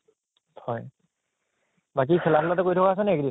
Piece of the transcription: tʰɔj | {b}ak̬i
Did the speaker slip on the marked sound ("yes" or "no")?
no